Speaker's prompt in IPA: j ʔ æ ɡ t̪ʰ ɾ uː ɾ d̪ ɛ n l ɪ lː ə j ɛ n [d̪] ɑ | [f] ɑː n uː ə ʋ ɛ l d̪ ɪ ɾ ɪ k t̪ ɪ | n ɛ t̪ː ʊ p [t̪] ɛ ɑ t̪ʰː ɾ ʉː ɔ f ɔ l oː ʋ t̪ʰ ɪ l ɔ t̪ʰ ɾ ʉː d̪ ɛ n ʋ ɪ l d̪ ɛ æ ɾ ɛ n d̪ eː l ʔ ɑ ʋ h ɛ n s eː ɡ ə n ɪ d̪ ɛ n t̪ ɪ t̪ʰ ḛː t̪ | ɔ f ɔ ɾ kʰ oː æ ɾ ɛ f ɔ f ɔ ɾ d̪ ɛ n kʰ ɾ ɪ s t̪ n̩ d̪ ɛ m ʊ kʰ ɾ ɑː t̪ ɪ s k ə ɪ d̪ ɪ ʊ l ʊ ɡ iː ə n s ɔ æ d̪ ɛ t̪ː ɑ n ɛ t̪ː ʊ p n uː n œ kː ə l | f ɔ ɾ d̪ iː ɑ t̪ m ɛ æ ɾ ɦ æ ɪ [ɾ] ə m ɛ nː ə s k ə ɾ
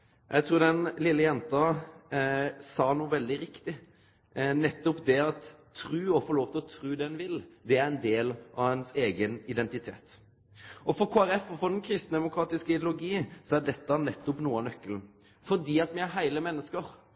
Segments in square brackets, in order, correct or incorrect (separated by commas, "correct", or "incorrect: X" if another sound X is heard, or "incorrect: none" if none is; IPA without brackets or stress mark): incorrect: t̪, incorrect: s, incorrect: d̪, incorrect: l